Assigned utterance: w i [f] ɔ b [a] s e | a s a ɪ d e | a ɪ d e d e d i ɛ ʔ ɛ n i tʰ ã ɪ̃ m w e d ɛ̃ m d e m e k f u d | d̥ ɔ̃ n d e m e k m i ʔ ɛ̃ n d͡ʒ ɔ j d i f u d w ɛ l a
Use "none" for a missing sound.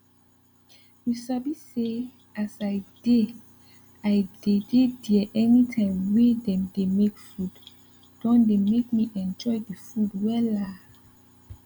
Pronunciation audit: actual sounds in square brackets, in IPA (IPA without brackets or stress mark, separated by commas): s, i